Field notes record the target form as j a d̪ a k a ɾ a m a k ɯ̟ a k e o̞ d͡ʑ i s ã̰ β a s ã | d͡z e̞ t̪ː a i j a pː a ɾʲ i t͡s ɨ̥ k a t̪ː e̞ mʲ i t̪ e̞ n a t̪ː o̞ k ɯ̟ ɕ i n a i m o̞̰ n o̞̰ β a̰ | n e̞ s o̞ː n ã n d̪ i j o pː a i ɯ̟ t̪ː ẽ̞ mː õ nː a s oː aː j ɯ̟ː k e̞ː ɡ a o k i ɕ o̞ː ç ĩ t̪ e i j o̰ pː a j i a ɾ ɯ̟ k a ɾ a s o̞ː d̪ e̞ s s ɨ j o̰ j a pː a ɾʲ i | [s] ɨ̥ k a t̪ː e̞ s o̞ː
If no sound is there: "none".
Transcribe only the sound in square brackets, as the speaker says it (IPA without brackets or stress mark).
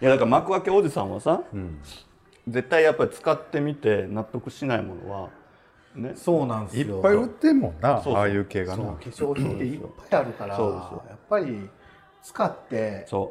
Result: t͡s